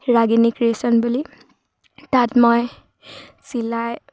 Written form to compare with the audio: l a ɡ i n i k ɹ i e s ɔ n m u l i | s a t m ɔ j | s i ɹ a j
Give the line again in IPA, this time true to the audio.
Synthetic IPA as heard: ɹ a ɡ i n i k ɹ i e s ɔ n b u l i | t a t m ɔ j | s i l a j